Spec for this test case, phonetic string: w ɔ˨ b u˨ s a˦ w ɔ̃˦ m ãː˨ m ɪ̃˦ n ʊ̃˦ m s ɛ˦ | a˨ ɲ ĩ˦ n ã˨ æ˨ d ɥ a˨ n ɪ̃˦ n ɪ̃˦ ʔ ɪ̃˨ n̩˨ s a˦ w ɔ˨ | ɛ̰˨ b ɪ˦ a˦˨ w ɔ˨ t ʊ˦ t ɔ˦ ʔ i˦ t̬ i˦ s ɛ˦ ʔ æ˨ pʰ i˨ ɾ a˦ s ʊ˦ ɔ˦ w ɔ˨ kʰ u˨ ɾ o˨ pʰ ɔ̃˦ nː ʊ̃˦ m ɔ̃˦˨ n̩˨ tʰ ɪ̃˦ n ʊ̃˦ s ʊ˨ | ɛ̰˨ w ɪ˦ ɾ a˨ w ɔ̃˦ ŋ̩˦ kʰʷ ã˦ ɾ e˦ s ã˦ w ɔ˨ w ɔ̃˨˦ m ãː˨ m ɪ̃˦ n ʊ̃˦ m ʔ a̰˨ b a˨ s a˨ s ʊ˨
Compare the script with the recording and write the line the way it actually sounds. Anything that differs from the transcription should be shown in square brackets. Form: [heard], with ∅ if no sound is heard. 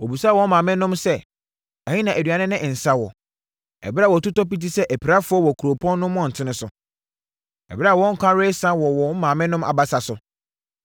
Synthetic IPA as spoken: w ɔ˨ b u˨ s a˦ w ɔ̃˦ m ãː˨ m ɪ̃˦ n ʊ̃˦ m s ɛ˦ | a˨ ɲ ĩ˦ n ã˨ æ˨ d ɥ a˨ n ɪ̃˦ n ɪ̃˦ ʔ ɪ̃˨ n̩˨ s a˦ w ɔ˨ | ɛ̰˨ b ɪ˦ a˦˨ w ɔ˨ t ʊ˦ t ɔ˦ [p] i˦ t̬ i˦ s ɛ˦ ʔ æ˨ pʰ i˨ ɾ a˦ [f] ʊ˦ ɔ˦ w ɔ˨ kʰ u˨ ɾ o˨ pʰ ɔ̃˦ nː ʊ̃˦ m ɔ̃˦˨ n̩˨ tʰ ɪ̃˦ n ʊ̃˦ s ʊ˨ | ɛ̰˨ [b] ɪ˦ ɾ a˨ w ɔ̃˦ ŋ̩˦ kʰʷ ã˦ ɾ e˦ s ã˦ w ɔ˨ w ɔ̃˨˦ m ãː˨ m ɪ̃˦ n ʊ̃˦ m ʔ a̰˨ b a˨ s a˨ s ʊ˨